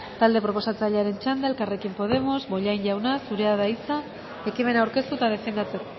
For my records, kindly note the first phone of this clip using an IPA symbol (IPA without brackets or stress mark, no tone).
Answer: t̪